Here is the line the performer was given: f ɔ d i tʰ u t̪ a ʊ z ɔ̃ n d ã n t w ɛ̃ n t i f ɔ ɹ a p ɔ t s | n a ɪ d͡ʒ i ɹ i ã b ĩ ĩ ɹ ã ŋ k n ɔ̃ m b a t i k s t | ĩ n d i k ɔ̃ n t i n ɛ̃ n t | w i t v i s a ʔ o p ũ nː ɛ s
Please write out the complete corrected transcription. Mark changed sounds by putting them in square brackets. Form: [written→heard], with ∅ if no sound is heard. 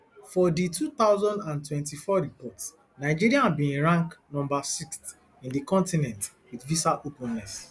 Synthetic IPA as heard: f ɔ d i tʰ u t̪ a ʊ z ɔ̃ n d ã n t w ɛ̃ n t i f ɔ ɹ [a→i] p ɔ t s | n a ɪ d͡ʒ i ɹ i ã b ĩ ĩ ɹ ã ŋ k n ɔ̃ m b a [t→s] i k s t | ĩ n d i k ɔ̃ n t i n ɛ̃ n t | w i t v i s a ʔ o p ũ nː ɛ s

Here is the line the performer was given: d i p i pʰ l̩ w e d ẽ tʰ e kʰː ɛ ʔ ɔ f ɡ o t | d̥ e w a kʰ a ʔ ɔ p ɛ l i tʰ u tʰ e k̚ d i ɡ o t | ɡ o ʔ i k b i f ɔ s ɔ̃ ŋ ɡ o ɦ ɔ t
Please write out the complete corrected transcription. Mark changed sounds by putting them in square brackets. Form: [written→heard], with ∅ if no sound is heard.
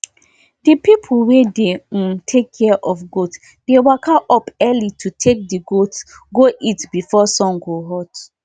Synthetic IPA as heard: d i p i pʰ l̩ w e d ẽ tʰ e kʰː ɛ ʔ ɔ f ɡ o t | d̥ e w a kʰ a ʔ ɔ p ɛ l i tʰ u tʰ e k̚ d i ɡ o t | ɡ o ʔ i [k→t] b i f ɔ s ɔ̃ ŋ ɡ o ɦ ɔ t

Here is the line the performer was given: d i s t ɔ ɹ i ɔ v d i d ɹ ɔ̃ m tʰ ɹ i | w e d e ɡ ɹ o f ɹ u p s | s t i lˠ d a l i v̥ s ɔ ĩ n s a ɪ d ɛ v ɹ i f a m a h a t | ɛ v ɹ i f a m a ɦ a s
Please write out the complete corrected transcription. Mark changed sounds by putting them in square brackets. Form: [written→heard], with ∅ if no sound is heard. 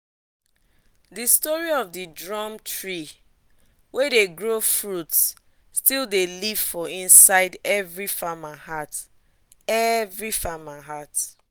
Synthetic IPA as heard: d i s t ɔ ɹ i ɔ v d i d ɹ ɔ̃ m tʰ ɹ i | w e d e ɡ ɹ o f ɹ u [p→t] s | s t i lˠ d [a→e] l i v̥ [s→f] ɔ ĩ n s a ɪ d ɛ v ɹ i f a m a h a t | ɛ v ɹ i f a m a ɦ a [s→t]

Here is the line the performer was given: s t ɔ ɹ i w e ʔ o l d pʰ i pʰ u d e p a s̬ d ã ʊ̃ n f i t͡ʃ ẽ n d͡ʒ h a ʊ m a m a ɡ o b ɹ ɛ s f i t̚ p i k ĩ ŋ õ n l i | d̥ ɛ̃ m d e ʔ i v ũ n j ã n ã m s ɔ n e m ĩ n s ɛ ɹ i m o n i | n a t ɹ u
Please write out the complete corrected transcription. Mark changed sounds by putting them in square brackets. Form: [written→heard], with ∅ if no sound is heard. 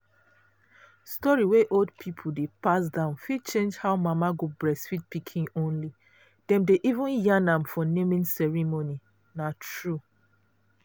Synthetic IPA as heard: s t ɔ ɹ i w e ʔ o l d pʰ i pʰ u d e p a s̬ d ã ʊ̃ n f i t͡ʃ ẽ n d͡ʒ h a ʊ m a m a ɡ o b ɹ ɛ s f i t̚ p i [k→kʰ] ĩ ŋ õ n l i | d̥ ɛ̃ m d e ʔ i v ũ n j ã n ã m [s→f] ɔ n e m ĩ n s ɛ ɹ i m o n i | n a t ɹ u

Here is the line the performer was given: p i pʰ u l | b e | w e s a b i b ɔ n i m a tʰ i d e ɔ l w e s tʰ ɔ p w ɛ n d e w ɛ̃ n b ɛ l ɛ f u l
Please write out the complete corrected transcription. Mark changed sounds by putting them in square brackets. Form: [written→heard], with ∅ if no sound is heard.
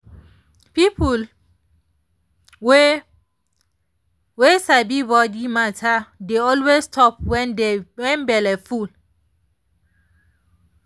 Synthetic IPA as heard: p i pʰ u l | [b→w] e | w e s a b i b ɔ [n→d] i m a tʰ [i→a] d e ɔ l w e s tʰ ɔ p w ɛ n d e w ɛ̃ n b ɛ l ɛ f u l

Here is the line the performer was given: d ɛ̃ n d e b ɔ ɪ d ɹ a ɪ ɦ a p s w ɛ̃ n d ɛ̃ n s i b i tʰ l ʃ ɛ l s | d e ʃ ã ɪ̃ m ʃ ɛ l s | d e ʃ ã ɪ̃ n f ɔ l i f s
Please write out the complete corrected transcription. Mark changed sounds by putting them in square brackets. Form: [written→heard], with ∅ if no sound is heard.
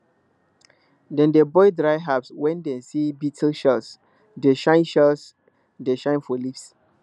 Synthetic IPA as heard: d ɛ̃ n d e b ɔ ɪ d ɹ a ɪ ɦ a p s w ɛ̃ n d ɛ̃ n s i b i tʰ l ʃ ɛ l s | d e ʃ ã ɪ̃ [m→n] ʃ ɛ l s | d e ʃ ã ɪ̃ n f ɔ l i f s

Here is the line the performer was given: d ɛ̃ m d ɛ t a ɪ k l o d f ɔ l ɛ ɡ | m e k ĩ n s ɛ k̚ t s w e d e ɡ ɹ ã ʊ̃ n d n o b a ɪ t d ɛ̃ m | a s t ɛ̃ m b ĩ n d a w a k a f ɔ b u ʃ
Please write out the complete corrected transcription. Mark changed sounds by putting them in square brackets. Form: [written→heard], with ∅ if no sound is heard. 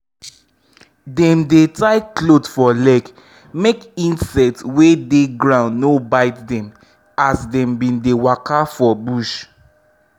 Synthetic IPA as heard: d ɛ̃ m d [ɛ→e] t a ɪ k l o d f ɔ l ɛ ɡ | m e k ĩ n s ɛ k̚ t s w e d e ɡ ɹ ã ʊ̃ n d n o b a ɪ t d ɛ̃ m | a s [t→d] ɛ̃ m b ĩ n d [a→e] w a k a f ɔ b u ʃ

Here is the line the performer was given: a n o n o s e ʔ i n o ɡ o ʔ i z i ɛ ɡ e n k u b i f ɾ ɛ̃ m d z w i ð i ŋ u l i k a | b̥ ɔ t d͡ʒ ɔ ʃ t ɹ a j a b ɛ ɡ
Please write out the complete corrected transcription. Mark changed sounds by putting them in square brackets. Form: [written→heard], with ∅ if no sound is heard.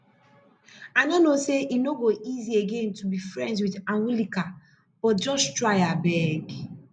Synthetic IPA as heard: a n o n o s e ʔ i n o ɡ o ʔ i z i [ɛ→e] ɡ e n [k→t] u b i f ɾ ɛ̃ [m→n] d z w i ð [i→a] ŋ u l i k a | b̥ ɔ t d͡ʒ ɔ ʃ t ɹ a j a b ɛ ɡ

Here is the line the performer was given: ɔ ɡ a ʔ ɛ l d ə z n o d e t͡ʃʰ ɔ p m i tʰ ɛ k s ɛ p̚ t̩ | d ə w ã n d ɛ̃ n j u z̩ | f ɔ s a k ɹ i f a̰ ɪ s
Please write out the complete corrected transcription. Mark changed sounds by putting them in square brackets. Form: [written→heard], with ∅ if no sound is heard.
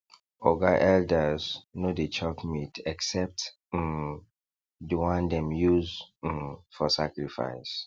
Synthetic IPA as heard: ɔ ɡ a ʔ ɛ l d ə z n o d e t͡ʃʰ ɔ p m i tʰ ɛ k s ɛ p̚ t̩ | d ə w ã n d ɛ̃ [n→m] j u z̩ | f ɔ s a k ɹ i f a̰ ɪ s

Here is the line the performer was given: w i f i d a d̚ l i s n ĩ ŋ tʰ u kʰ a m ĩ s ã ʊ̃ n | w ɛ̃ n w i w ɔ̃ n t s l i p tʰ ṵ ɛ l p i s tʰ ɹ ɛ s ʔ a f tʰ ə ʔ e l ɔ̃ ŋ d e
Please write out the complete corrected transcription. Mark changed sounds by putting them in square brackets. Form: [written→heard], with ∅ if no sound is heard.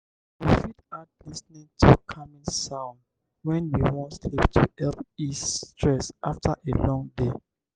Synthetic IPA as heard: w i f i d a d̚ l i s n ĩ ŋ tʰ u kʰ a m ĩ s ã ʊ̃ n | w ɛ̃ n w i w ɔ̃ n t s l i p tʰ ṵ ɛ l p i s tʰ ɹ ɛ s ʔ a f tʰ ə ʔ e l ɔ̃ ŋ d e

